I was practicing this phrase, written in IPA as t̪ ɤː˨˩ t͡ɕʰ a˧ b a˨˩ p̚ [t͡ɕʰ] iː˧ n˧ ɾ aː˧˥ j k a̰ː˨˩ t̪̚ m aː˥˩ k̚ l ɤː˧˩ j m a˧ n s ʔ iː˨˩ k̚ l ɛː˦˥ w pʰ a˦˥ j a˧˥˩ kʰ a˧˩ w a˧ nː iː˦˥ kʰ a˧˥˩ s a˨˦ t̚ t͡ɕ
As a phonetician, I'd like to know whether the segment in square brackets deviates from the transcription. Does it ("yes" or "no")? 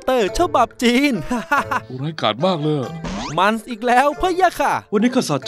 yes